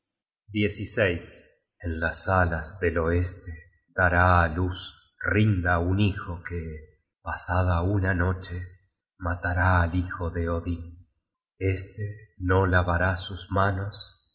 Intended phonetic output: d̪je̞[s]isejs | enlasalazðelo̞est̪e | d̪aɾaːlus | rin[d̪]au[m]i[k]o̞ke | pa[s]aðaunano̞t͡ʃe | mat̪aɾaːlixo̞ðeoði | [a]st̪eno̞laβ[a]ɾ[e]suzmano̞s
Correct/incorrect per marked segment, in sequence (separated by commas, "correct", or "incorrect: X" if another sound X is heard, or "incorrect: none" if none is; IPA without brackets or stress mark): correct, correct, incorrect: n, incorrect: x, correct, incorrect: e, correct, incorrect: a